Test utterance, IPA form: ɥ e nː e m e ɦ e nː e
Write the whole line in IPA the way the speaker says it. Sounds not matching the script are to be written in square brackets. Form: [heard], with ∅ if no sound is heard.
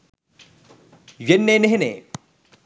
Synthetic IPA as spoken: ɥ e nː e [n] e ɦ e [n] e